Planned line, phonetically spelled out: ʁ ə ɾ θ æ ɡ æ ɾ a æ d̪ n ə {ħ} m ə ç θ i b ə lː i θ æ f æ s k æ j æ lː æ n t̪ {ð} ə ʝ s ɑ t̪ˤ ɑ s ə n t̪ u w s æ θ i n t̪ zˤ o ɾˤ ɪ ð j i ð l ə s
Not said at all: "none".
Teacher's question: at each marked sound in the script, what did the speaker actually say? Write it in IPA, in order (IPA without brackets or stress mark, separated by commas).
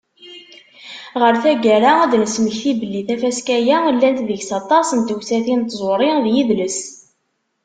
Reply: s, ð